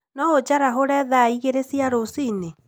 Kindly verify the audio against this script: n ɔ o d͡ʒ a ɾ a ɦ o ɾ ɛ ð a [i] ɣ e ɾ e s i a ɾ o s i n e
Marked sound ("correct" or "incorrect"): correct